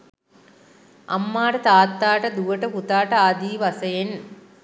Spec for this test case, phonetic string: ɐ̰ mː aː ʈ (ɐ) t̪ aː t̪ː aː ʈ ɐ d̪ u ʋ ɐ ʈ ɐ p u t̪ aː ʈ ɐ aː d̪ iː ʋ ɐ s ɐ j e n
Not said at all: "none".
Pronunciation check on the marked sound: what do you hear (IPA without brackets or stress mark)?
ɐ